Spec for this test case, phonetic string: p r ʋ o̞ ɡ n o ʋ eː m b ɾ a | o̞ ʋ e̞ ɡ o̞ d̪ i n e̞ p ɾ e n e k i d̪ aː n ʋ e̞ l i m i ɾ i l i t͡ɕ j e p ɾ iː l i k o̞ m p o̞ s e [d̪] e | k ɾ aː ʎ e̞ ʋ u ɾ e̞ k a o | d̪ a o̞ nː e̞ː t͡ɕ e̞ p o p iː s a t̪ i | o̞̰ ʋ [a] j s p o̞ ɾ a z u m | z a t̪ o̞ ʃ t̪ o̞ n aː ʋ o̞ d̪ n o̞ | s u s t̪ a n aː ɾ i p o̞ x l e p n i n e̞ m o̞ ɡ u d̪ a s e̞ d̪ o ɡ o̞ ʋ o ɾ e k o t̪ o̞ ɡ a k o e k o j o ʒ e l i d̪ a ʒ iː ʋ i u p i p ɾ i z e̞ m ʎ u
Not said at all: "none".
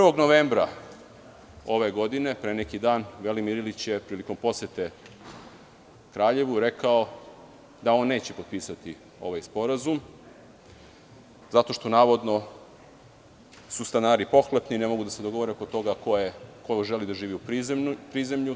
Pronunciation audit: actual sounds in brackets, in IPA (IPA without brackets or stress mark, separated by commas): t̪, a